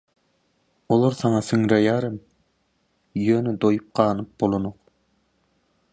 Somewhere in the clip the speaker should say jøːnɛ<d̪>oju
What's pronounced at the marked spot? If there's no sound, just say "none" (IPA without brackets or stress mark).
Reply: d̪